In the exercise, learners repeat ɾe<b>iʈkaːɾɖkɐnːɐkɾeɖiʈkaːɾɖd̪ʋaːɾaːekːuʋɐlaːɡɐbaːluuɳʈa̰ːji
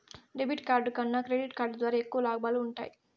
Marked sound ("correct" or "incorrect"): correct